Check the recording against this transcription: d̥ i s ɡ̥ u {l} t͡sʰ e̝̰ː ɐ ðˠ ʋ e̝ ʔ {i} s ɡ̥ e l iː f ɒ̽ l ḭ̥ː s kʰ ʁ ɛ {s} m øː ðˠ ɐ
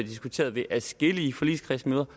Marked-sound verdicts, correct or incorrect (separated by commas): incorrect, incorrect, correct